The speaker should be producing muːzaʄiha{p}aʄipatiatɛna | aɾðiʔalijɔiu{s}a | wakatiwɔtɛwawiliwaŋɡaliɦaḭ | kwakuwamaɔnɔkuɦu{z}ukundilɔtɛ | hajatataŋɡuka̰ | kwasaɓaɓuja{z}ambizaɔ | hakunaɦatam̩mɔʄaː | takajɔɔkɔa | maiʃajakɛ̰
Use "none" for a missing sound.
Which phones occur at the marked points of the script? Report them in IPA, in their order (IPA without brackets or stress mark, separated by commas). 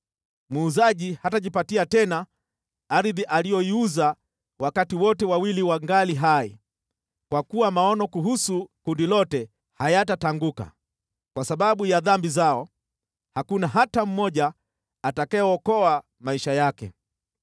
t, z, s, ð